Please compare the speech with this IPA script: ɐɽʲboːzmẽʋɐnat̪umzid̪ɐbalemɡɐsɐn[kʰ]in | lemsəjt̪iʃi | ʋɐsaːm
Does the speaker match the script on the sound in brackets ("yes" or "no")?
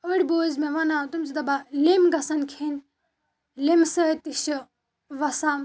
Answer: yes